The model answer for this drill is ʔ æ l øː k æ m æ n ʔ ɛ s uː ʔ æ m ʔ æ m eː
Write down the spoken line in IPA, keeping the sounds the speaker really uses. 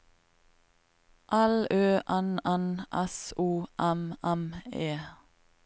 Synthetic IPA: ʔ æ l øː ʔ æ n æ n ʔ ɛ s uː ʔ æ m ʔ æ m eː